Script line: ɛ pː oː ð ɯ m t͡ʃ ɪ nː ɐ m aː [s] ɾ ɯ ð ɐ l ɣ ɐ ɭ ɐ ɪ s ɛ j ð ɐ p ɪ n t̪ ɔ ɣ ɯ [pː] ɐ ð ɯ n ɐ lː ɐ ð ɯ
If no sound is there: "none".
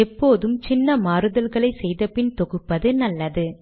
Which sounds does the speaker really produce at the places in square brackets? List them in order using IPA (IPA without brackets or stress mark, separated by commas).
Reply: none, pː